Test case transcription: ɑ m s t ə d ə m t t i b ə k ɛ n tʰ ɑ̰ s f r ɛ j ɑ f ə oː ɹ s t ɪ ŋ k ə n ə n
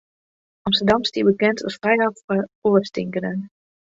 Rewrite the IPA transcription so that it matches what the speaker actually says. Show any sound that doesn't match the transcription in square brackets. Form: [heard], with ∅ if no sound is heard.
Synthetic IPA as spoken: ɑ m s t ə d [ɑ] m [s] t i b ə k ɛ n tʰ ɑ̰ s f r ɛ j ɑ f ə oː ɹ s t ɪ ŋ k ə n ə n